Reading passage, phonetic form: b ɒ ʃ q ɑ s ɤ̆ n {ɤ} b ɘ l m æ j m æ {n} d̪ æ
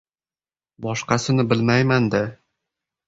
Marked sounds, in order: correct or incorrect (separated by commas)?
correct, correct